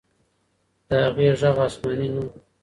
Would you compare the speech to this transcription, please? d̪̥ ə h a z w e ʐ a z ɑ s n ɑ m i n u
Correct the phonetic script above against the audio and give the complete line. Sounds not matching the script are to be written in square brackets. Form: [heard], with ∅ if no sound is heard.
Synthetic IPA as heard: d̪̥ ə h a [ɣ] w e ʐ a [ɣ] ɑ s [m] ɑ [n] i n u